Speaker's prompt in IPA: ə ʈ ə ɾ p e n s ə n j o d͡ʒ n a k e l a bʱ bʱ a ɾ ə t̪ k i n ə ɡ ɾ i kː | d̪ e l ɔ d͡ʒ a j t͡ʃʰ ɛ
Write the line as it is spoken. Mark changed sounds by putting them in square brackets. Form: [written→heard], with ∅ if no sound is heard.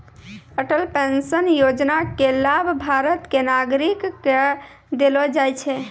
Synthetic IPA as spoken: ə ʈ ə [ɾ→l] p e n s ə n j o d͡ʒ n a k e l a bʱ bʱ a ɾ ə t̪ k [i→e] n [ə→a] ɡ ɾ i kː | d̪ e l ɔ d͡ʒ a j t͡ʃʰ ɛ